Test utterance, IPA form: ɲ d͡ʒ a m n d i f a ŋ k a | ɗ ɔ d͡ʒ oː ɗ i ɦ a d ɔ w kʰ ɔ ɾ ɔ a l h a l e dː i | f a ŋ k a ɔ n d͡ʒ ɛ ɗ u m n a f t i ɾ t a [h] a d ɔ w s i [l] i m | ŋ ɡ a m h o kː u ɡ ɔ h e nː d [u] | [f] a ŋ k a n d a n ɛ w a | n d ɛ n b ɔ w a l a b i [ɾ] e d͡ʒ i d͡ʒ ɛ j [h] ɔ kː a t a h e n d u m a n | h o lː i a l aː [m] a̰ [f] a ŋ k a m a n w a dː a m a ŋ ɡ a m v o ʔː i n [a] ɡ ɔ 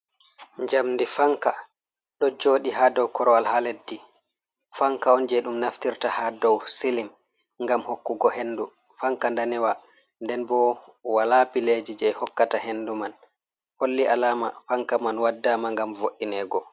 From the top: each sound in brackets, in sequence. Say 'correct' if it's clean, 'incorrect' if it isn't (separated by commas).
correct, correct, correct, correct, incorrect, correct, correct, correct, incorrect